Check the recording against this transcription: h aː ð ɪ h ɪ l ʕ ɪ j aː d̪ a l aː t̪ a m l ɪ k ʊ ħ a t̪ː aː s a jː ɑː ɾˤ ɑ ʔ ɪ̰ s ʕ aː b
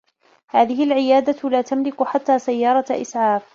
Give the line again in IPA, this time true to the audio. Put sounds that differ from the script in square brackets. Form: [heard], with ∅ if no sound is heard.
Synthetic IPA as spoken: h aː ð ɪ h ɪ l ʕ ɪ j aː d̪ a l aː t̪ a m l ɪ k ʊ ħ a t̪ː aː s a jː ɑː ɾˤ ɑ ʔ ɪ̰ s ʕ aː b